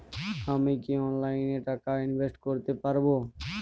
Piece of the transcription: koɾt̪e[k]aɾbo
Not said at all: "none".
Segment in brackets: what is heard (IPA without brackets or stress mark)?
p